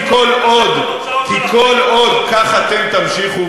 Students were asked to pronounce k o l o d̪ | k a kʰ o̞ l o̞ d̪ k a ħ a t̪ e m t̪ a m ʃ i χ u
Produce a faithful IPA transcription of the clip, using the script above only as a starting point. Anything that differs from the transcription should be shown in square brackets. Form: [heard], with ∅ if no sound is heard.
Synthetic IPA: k o l o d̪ | k [i] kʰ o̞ l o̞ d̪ k a [χ] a t̪ e m t̪ a m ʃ i χ u